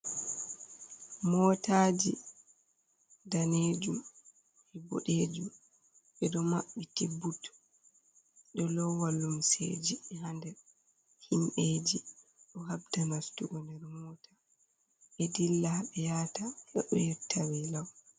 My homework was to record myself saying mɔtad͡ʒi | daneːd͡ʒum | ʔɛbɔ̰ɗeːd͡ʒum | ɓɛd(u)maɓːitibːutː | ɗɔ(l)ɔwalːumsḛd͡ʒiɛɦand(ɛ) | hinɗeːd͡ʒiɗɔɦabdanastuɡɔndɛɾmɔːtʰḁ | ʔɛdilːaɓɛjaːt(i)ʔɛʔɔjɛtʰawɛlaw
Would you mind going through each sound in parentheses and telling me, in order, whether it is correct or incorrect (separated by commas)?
incorrect, correct, correct, incorrect